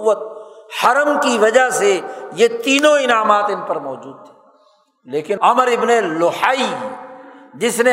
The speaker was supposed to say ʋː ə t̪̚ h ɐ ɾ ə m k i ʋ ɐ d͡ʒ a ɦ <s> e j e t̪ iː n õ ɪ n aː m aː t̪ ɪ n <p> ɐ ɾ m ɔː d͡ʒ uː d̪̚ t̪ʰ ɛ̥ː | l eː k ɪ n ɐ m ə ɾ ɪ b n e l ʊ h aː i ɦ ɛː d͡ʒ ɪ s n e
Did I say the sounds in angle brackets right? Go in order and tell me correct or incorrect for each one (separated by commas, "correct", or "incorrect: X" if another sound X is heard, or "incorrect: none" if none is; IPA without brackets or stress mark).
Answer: correct, correct